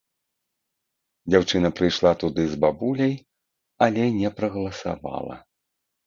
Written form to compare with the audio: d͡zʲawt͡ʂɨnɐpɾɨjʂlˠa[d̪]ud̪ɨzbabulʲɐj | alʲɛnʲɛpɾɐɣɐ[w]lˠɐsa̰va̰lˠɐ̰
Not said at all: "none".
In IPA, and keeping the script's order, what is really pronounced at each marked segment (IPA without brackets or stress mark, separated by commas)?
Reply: t̪, none